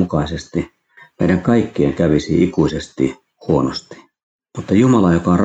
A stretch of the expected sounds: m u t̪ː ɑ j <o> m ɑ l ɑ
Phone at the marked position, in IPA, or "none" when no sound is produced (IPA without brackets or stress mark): u